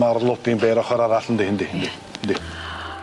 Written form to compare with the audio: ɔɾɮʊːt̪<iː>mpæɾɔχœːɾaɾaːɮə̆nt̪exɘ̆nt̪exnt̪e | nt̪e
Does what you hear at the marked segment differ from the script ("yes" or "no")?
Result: no